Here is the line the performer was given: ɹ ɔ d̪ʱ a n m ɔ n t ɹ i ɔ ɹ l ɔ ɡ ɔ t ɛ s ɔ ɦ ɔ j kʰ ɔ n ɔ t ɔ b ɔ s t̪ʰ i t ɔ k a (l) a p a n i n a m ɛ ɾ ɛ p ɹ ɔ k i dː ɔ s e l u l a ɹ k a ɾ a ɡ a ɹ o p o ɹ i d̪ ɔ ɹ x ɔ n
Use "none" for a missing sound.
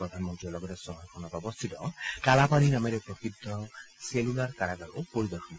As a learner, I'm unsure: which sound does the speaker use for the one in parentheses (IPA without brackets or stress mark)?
l